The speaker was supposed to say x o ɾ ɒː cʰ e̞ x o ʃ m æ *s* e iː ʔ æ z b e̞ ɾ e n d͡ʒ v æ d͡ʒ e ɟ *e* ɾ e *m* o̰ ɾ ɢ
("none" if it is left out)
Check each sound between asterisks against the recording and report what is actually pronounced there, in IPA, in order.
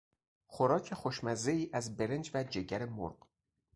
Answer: z, æ, m

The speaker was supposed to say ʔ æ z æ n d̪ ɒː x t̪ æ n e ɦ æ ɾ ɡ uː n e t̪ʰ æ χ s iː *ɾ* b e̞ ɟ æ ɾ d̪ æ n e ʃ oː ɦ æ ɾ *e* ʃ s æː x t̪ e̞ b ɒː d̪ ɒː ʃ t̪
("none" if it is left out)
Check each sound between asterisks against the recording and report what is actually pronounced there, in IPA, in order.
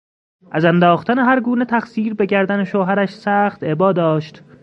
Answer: ɾ, æ

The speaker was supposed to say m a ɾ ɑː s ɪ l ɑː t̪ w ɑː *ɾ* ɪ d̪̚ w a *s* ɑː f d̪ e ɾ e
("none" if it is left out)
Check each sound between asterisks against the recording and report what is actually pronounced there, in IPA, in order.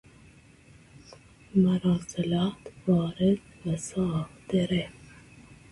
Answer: ɾ, s

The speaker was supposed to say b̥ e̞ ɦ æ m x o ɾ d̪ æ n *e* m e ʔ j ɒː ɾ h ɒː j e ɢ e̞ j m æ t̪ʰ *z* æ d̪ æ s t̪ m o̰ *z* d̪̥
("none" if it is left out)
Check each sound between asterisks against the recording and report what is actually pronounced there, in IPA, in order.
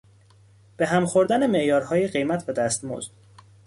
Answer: e, v, z

